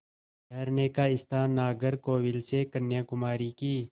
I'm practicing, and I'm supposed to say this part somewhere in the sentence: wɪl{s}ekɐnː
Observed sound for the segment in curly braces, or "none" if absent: s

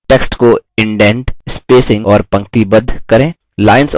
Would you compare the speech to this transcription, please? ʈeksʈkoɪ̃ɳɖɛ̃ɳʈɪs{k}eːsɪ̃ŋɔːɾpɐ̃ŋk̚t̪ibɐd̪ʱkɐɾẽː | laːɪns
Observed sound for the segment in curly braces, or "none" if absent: p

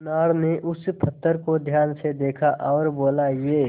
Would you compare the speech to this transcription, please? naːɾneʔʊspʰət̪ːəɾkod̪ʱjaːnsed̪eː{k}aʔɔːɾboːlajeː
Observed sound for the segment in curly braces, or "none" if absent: kʰ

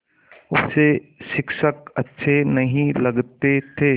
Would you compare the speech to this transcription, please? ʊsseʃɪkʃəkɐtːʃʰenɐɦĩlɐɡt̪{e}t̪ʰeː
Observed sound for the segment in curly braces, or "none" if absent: e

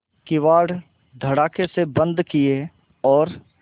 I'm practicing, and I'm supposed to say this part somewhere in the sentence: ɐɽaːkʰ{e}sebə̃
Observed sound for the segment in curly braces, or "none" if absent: e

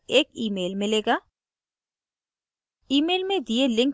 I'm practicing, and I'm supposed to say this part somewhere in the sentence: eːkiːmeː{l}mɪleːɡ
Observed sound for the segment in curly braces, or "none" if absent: l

